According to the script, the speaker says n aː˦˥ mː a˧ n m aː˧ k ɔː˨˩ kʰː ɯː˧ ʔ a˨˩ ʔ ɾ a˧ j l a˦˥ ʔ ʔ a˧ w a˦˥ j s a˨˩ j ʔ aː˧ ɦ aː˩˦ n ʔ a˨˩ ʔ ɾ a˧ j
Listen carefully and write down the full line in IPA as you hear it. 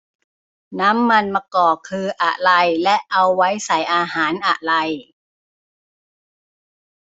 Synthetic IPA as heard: n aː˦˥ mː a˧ n m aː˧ k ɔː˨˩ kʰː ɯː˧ ʔ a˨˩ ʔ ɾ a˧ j l ɛ˦˥ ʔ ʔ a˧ wː a˦˥ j s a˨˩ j ʔ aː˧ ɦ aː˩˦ n ʔ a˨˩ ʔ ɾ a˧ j